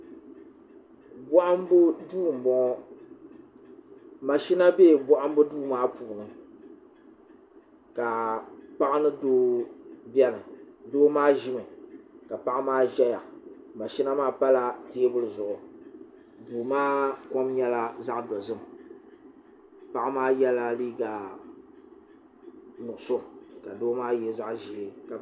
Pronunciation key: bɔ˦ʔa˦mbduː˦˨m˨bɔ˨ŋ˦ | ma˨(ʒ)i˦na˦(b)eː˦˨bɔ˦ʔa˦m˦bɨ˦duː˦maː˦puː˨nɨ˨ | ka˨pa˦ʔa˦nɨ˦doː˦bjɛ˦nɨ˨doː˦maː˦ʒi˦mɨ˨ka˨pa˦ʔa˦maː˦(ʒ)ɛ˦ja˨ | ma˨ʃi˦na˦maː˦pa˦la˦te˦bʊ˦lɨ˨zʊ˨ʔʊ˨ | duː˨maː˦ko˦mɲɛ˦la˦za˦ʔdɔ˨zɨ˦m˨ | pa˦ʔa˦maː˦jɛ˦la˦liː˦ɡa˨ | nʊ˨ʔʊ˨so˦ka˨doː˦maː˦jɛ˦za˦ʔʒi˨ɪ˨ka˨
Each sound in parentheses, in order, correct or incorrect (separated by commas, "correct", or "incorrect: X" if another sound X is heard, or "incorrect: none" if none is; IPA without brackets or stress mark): incorrect: ʃ, correct, correct